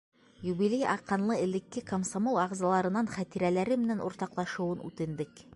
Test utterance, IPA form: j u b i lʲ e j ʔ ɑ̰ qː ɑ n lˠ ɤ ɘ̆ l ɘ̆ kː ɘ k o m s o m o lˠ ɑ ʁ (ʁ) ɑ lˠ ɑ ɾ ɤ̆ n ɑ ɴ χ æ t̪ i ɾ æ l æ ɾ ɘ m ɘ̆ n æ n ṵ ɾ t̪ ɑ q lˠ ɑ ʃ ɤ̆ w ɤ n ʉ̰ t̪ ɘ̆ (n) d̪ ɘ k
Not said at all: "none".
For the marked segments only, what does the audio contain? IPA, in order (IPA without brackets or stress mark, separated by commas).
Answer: z, n